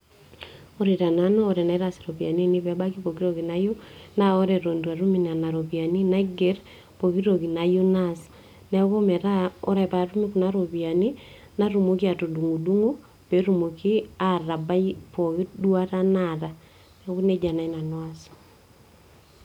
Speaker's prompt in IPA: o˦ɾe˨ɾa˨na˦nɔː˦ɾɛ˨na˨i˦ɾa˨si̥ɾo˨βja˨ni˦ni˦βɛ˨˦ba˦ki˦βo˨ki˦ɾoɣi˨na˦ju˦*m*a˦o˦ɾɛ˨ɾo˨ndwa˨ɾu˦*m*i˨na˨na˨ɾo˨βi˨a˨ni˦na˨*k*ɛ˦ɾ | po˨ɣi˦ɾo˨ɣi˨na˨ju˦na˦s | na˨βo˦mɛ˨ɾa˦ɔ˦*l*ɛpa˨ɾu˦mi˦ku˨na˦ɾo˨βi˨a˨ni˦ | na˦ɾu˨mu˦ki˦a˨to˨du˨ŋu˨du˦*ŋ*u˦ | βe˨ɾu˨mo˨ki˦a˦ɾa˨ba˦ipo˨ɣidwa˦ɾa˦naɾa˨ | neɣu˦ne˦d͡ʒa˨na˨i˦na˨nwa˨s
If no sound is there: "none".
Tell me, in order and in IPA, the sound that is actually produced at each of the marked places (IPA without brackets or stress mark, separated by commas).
n, m, ɡ, ɾ, ŋ